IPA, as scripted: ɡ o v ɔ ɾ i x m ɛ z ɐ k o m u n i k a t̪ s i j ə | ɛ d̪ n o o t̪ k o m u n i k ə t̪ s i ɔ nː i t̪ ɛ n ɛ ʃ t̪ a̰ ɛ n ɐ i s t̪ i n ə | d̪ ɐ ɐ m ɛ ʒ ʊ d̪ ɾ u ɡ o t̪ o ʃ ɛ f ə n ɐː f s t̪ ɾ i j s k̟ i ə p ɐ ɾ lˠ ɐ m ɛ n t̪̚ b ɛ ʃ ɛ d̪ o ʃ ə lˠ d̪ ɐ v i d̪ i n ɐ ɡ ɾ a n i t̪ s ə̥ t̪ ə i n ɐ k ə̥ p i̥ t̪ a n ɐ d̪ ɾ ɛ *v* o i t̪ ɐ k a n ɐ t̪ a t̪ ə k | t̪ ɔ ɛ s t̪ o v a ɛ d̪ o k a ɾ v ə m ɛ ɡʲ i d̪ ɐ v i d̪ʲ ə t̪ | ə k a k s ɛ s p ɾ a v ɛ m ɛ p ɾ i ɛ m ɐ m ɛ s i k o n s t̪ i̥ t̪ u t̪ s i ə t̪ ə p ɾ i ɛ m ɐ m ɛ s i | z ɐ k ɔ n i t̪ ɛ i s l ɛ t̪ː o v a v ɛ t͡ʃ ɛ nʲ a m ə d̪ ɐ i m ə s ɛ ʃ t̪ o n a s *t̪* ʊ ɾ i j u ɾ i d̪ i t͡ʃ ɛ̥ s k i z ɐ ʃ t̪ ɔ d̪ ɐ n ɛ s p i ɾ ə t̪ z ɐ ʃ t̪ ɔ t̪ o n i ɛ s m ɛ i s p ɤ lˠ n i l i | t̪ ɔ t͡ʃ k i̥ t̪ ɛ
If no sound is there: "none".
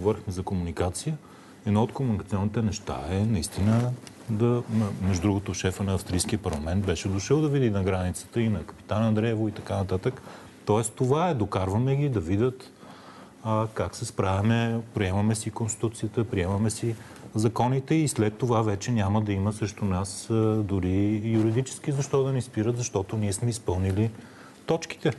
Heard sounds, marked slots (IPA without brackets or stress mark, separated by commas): v, d̪